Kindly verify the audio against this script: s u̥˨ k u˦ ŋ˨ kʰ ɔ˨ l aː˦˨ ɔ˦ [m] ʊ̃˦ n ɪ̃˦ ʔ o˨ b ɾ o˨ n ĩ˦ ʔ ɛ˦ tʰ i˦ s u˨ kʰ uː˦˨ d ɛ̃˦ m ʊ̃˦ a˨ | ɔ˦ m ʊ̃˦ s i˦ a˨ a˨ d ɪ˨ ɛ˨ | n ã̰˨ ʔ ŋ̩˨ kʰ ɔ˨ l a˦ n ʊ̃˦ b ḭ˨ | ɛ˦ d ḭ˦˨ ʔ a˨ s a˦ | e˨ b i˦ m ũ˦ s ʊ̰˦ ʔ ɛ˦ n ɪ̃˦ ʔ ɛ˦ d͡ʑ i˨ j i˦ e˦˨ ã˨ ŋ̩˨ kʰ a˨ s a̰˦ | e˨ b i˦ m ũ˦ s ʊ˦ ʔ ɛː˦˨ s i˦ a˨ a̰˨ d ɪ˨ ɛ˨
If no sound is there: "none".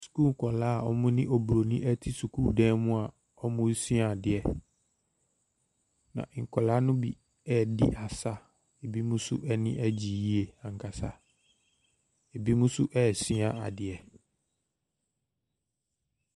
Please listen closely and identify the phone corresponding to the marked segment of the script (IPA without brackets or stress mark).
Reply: m